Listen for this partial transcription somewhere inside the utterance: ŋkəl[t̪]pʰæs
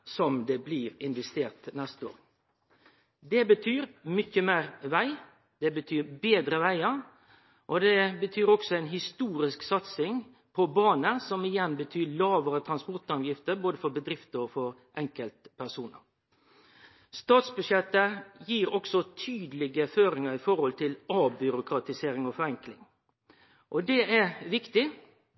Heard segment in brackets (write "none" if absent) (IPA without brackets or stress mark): t̪